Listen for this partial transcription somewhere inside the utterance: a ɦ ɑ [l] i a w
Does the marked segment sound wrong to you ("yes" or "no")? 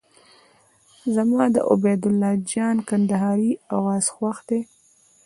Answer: yes